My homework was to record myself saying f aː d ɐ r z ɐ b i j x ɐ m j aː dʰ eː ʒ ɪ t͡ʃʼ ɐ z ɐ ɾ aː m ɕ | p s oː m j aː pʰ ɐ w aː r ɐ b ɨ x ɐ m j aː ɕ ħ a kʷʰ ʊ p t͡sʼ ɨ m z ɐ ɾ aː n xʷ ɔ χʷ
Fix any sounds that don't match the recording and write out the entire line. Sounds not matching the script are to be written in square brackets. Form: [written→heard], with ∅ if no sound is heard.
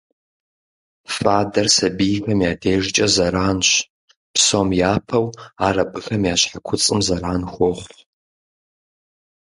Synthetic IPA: f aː d ɐ r [z→s] ɐ b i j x ɐ m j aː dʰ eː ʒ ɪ t͡ʃʼ ɐ z ɐ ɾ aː [m→n] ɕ | p s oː m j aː pʰ ɐ w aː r ɐ b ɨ x ɐ m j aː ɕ ħ a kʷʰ ʊ [p→∅] t͡sʼ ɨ m z ɐ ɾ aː n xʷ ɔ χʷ